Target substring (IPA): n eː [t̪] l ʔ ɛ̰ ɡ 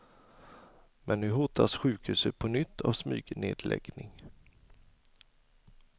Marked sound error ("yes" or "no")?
yes